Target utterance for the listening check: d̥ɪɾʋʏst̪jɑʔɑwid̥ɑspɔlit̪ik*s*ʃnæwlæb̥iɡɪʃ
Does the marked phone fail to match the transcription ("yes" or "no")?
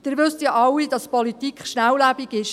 yes